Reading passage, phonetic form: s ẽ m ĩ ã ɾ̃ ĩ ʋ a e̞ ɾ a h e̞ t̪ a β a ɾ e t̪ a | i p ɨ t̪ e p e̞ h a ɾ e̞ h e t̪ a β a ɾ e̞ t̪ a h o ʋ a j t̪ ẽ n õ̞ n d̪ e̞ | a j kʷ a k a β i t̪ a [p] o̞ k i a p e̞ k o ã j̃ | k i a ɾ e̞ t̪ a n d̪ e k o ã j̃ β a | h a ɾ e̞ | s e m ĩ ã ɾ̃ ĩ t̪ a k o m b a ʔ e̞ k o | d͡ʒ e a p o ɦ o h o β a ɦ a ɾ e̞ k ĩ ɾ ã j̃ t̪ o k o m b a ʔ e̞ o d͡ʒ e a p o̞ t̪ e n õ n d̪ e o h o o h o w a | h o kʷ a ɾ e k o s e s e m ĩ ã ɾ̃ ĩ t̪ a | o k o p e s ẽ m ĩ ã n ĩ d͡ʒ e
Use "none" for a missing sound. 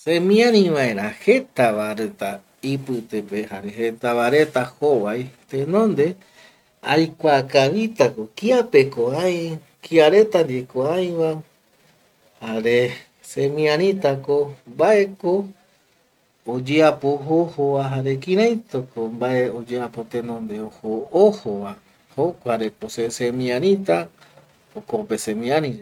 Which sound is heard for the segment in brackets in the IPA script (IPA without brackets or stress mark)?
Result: k